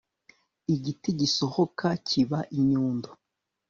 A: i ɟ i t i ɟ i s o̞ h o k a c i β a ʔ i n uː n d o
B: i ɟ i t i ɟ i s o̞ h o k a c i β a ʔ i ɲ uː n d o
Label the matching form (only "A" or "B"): B